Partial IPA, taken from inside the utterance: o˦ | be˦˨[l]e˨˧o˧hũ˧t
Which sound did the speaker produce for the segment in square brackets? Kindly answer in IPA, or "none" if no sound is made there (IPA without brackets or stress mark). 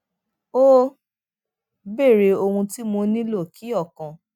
ɾ